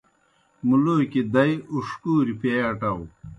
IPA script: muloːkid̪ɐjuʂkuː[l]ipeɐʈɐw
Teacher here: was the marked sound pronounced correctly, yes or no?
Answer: no